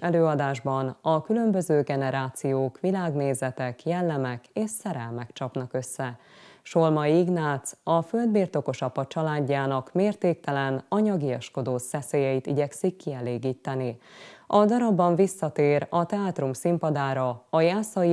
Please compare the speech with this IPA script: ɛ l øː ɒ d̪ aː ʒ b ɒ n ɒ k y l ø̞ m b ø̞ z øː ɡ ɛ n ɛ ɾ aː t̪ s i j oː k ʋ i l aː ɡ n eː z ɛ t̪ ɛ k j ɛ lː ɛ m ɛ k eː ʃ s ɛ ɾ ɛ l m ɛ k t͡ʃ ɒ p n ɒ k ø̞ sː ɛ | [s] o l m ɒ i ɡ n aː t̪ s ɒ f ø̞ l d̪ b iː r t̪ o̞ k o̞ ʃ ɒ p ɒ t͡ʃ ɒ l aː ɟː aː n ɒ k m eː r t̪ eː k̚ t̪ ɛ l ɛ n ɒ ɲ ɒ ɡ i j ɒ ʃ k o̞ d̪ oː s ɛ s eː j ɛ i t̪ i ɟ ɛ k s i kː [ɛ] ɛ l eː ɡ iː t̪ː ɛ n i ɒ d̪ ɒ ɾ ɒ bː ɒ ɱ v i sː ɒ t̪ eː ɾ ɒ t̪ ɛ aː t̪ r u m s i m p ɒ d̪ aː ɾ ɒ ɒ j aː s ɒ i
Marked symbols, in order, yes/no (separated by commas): no, no